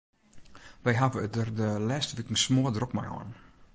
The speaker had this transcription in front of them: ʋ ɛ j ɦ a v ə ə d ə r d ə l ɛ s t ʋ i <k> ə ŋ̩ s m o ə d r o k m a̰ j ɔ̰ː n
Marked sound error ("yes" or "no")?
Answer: no